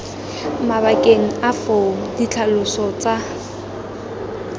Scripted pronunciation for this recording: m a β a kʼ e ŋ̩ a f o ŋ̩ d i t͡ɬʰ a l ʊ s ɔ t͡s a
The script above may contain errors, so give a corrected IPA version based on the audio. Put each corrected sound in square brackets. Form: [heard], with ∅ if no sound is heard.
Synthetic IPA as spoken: m a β a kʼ e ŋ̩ a f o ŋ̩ d i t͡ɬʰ a l ʊ s ɔ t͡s a